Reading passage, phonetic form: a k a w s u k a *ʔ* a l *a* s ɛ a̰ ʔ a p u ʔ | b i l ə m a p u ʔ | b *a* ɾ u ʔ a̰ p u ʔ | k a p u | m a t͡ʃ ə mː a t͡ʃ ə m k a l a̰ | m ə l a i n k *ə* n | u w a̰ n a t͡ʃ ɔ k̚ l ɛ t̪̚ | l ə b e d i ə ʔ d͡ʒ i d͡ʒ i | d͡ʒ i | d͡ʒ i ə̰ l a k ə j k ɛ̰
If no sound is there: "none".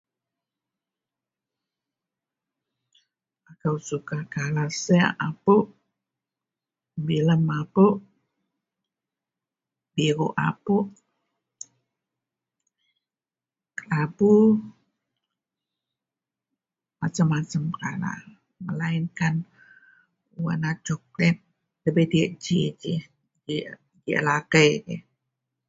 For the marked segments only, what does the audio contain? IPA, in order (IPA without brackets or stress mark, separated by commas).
k, a, i, a